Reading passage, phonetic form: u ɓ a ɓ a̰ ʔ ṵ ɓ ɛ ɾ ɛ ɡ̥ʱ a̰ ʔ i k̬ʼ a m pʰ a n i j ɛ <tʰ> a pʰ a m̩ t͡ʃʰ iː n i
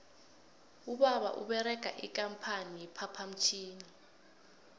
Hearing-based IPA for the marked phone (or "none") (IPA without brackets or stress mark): pʰ